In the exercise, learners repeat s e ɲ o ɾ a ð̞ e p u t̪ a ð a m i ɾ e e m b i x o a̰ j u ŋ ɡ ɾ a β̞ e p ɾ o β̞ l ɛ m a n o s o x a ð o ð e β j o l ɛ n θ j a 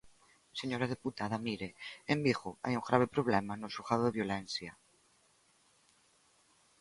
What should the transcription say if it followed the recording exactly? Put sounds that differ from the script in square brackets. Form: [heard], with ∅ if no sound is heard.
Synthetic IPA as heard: s e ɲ o ɾ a ð̞ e p u t̪ a ð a m i ɾ e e m b i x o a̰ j u ŋ ɡ ɾ a β̞ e p ɾ o β̞ l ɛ m a n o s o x a ð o ð e β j o l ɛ n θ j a

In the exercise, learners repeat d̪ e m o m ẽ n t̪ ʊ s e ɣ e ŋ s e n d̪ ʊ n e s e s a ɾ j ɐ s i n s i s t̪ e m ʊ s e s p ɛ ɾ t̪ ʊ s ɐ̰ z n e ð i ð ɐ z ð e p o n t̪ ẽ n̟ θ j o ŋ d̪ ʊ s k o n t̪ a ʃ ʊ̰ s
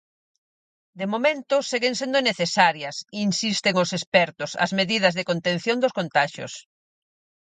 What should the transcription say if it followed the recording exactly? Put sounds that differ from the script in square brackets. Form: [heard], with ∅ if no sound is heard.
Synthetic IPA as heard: d̪ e m o m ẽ n t̪ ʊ s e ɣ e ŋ s e n d̪ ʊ n e [θ] e s a ɾ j ɐ s i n s i s t̪ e [ŋ] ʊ s e s p ɛ ɾ t̪ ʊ s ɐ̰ z [m] e ð i ð ɐ z ð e [k] o n t̪ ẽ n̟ θ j o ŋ d̪ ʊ s k o n t̪ a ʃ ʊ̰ s

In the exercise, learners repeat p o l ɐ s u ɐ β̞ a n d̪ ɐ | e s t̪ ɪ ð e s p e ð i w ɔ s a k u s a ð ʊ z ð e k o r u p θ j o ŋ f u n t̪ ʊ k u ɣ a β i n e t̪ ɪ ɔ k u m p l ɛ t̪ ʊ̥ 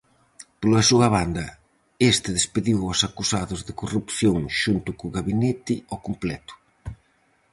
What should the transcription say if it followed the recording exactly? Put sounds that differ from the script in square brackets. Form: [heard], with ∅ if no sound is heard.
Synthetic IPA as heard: p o l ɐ s u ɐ β̞ a n d̪ ɐ | e s t̪ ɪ ð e s p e ð i w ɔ s a k u s a ð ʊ z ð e k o r u p θ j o ŋ [ʃ] u n t̪ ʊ k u ɣ a β i n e t̪ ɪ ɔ k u m p l ɛ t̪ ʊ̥

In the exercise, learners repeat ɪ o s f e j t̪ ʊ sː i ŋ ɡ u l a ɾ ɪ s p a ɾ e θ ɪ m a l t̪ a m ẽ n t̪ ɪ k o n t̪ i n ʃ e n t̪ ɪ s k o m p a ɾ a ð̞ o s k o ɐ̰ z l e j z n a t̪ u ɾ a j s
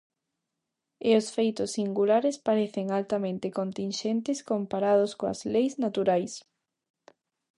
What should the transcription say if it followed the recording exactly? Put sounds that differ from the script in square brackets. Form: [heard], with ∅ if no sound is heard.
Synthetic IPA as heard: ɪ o s f e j t̪ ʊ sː i ŋ ɡ u l a ɾ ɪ s p a ɾ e θ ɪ [ŋ] a l t̪ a m ẽ n t̪ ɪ k o n t̪ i n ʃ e n t̪ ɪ s k o m p a ɾ a ð̞ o s k o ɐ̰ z l e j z n a t̪ u ɾ a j s

